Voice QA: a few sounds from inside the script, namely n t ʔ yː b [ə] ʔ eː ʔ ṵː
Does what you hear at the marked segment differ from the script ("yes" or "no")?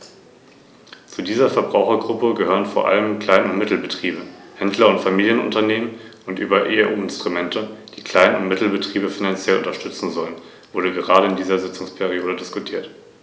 yes